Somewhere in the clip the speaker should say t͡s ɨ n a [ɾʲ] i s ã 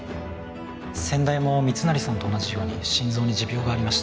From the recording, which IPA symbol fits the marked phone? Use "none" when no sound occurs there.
ɾʲ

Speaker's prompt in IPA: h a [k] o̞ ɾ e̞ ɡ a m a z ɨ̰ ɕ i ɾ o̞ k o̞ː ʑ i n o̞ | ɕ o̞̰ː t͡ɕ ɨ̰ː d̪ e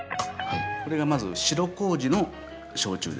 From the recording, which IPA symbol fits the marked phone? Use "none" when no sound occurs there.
k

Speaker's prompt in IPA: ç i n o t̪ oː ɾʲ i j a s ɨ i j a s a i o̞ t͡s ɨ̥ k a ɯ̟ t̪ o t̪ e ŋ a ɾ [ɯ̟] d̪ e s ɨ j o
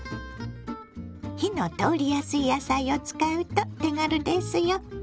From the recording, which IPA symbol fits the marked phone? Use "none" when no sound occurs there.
ɯ̟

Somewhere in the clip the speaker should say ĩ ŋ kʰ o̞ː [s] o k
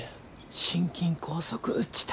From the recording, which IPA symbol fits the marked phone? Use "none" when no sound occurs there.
s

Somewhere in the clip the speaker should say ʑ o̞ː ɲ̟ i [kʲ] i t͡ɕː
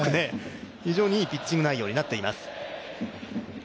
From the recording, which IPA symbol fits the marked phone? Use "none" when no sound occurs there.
pʲ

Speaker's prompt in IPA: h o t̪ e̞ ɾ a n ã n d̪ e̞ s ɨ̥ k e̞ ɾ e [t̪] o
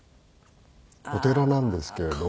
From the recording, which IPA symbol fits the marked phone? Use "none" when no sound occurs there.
d̪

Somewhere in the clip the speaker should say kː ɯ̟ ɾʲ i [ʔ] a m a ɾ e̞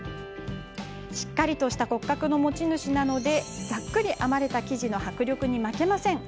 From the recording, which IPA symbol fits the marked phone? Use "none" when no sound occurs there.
ʔ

